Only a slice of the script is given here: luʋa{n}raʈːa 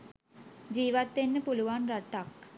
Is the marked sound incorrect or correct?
correct